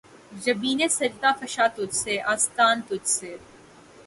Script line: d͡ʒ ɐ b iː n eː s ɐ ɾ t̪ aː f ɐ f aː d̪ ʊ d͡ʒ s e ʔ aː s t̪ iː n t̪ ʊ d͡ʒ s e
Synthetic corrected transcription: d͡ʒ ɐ b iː n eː s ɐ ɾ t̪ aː f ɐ ʃ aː t̪ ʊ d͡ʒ s e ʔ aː s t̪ aː n t̪ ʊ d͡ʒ s e